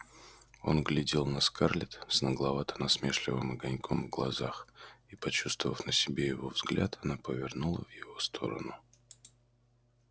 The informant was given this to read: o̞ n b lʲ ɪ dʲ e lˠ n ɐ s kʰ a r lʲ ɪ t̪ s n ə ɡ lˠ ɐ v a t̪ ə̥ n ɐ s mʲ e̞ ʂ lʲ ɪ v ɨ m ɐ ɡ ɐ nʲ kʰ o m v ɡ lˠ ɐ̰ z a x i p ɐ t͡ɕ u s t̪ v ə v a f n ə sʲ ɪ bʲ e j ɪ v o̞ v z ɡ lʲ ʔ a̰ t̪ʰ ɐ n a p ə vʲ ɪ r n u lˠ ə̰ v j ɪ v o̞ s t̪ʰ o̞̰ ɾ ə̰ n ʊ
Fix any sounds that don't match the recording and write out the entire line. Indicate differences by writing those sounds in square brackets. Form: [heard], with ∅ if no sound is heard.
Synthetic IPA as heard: o̞ n [ɡ] lʲ ɪ dʲ e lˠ n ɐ s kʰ a r lʲ ɪ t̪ s n ə ɡ lˠ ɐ v a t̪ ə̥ n ɐ s mʲ e̞ ʂ lʲ ɪ v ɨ m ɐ ɡ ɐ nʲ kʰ o m v ɡ lˠ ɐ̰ z a x i p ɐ t͡ɕ u s t̪ v ə v [ə] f n ə sʲ ɪ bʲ e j ɪ v o̞ v z ɡ lʲ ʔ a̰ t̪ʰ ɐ n a p ə vʲ ɪ r n u lˠ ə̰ v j ɪ v o̞ s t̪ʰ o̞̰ ɾ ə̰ n ʊ